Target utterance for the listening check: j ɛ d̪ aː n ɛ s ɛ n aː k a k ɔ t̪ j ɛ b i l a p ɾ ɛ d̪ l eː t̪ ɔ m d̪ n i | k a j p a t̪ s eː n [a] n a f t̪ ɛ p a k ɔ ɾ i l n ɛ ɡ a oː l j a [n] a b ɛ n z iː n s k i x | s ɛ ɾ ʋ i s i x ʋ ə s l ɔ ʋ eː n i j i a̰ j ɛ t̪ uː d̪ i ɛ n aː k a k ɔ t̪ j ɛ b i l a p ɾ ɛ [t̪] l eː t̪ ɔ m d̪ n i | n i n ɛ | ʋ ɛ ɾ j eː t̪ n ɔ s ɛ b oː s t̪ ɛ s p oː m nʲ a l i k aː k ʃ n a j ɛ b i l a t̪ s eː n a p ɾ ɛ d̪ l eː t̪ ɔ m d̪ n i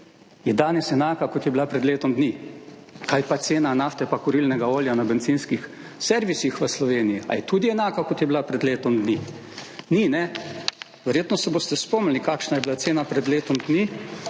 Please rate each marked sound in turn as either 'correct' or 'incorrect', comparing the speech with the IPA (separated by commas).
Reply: correct, correct, incorrect